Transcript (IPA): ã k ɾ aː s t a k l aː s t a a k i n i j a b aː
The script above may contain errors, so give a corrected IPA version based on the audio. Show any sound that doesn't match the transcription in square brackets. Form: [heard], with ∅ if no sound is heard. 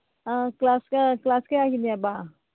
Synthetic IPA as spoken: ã k [l] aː s [k] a k l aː s [k] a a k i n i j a b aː